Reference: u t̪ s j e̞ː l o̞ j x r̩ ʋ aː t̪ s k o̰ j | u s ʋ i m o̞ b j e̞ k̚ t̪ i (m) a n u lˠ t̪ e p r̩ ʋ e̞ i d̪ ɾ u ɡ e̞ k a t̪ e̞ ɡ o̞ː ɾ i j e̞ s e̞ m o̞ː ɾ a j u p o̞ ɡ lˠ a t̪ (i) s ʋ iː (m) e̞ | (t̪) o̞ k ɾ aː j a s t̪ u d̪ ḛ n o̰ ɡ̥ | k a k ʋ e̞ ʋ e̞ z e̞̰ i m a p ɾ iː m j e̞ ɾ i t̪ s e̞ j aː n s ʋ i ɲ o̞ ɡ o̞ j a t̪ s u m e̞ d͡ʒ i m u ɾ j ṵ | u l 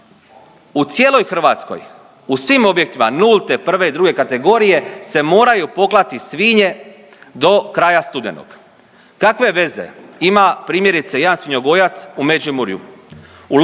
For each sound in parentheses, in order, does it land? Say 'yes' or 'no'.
yes, yes, no, no

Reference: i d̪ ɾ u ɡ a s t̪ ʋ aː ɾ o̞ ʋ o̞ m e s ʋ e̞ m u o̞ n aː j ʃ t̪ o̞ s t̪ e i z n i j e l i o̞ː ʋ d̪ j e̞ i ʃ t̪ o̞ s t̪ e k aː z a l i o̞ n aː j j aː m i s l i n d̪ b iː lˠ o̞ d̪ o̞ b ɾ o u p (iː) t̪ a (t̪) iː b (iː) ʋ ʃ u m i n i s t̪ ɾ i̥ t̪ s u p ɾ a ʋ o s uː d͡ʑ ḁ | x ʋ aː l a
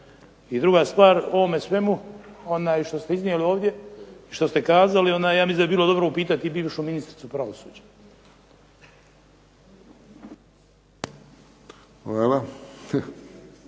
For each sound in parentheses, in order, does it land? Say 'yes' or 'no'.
yes, yes, yes

